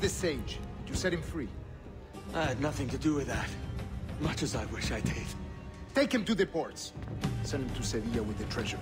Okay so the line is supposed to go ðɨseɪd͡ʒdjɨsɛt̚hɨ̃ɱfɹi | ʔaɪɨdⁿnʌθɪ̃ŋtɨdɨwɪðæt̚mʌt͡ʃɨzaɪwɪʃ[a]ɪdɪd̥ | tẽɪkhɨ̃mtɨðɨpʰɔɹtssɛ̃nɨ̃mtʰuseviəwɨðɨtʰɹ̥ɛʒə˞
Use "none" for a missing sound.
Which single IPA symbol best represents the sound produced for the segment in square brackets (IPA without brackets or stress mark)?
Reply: a